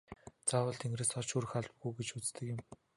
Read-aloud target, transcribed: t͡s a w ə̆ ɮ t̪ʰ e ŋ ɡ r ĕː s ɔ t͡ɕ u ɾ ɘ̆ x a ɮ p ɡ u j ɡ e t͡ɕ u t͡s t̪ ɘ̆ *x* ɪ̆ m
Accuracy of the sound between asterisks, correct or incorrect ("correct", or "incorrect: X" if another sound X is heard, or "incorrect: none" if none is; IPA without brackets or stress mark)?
incorrect: k